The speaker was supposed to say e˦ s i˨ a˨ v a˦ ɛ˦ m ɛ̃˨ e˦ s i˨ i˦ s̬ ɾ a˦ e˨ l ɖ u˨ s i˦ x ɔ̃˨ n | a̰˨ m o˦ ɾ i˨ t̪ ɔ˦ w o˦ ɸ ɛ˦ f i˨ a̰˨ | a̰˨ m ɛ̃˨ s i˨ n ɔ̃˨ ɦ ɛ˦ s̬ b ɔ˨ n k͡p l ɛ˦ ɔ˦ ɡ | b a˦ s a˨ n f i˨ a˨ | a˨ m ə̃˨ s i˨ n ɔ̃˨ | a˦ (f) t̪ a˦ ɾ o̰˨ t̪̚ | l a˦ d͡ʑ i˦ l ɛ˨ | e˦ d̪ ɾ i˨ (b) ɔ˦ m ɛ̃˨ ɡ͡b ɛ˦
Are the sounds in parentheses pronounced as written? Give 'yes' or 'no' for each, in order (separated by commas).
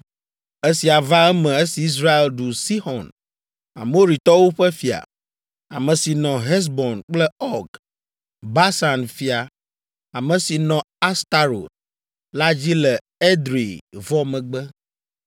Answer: no, no